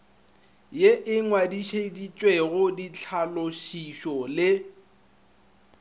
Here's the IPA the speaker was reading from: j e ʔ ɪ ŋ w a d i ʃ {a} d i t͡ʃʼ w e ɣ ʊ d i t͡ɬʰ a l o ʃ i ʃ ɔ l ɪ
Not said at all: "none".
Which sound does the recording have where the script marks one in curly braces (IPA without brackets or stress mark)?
e